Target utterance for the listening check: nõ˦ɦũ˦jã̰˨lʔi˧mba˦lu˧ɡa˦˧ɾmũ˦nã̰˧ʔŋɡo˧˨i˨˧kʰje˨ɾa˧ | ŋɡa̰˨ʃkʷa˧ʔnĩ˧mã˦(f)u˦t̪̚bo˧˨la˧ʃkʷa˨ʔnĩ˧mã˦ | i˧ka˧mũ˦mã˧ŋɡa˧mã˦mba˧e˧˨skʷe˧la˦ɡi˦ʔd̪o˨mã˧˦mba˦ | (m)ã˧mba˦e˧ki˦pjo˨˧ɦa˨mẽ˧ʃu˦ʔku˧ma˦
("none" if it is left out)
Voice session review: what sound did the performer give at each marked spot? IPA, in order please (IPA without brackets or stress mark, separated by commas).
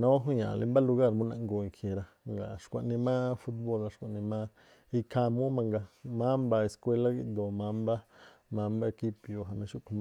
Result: f, m